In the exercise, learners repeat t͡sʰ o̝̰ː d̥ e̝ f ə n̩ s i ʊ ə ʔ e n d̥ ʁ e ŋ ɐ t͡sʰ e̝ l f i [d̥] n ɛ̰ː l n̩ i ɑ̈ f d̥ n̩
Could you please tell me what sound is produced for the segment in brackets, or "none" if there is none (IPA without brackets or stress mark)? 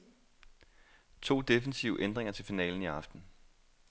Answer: none